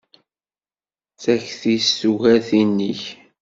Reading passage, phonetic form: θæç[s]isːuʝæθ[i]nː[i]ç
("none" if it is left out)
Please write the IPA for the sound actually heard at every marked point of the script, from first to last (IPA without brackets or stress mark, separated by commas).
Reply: θ, i, i